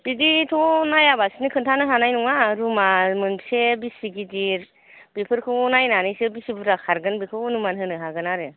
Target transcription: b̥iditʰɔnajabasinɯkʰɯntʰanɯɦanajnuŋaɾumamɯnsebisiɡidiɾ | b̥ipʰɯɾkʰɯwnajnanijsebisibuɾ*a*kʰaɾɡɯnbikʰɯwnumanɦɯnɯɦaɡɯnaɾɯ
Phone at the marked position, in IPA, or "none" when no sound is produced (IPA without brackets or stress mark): a